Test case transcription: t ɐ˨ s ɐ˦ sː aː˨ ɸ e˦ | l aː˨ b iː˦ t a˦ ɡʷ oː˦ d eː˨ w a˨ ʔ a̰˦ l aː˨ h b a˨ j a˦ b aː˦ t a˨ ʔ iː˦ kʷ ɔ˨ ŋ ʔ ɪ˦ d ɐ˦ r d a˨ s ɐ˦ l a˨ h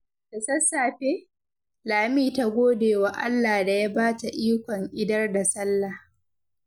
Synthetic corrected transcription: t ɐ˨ s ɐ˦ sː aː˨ ɸ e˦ | l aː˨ m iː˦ t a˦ ɡʷ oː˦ d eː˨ w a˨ ʔ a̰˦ lː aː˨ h d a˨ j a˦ b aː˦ t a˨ ʔ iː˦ kʷ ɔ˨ ŋ ʔ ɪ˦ d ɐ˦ r d a˨ s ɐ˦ lː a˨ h